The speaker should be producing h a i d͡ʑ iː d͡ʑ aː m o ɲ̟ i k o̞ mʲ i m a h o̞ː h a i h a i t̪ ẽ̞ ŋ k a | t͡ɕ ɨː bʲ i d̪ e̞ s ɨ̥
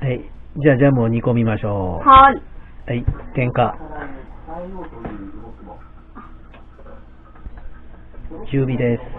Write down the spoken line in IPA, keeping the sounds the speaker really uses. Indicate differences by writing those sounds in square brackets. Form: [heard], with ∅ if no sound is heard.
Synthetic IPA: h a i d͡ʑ [aː] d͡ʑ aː m o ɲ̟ i k o̞ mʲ i m a [ɕ] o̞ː h a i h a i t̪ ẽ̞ ŋ k a | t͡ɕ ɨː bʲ i d̪ e̞ s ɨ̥